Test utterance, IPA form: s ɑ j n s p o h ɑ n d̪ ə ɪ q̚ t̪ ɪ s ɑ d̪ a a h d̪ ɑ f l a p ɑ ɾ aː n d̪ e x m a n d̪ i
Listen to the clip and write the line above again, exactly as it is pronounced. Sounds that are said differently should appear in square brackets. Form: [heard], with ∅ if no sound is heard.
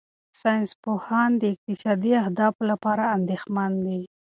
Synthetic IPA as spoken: s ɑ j n s p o h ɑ n d̪ ə ɪ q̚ t̪ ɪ s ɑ d̪ [i] a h d̪ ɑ f l a p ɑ ɾ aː n d̪ e x m a n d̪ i